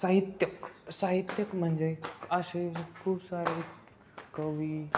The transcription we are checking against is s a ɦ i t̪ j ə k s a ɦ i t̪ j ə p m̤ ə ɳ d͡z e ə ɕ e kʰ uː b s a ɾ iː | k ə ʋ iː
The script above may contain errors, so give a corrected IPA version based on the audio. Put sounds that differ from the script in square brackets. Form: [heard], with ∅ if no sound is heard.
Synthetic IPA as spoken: s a ɦ i t̪ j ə k s a ɦ i t̪ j ə [k] m̤ ə ɳ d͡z e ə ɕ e kʰ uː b s a ɾ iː | k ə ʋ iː